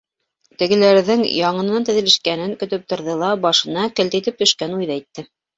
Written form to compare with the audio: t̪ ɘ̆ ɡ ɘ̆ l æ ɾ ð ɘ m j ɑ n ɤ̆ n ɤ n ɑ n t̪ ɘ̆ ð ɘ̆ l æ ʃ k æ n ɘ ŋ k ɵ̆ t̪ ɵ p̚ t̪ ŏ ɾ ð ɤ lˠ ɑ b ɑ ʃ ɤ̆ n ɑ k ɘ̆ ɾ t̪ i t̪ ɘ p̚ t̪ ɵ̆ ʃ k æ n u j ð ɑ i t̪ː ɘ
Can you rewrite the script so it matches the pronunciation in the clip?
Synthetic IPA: t̪ ɘ̆ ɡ ɘ̆ l æ ɾ ð ɘ ŋ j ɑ ɴ ɤ̆ n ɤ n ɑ n t̪ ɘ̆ ð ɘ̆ l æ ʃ k æ n ɘ ŋ k ɵ̆ t̪ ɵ p̚ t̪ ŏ ɾ ð ɤ lˠ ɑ b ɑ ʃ ɤ̆ n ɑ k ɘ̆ l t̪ i t̪ ɘ p̚ t̪ ɵ̆ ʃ k æ n u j ð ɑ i t̪ː ɘ